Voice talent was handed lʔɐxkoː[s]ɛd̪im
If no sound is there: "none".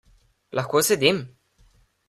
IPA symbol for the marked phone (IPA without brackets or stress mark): s